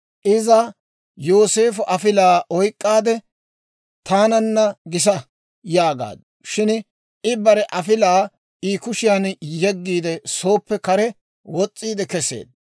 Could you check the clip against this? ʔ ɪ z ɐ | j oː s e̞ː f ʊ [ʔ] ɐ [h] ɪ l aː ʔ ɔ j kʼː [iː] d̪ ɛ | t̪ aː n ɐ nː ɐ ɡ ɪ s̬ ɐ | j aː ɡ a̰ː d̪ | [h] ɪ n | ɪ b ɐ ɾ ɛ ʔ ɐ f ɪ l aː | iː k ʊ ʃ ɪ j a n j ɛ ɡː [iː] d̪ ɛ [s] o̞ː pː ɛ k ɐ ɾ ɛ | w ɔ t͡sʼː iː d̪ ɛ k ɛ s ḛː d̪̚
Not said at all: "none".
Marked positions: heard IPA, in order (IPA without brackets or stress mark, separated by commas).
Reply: ʔ, f, aː, ʃ, iː, s